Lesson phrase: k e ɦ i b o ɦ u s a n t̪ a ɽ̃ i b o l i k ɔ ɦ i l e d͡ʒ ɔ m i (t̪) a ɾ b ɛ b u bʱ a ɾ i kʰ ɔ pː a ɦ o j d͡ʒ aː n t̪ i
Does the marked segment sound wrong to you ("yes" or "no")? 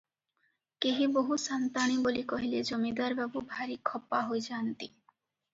yes